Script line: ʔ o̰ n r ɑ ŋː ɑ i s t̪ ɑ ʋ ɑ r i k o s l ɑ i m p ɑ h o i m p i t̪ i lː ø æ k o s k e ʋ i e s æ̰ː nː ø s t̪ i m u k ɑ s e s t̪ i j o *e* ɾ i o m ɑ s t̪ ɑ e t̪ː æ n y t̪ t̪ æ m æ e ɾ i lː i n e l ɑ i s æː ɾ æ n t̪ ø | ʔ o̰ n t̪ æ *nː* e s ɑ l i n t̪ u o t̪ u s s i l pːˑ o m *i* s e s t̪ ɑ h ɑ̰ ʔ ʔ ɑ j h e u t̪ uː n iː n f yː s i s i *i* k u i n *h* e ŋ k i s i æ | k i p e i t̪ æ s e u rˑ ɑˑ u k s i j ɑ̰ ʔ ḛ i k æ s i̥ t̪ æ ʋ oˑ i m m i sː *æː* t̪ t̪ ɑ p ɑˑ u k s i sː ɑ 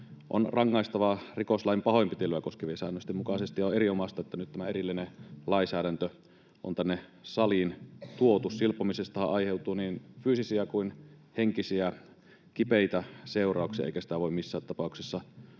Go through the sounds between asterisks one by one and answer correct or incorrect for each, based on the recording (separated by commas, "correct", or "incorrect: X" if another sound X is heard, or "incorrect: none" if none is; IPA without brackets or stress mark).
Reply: correct, correct, correct, incorrect: æ, correct, correct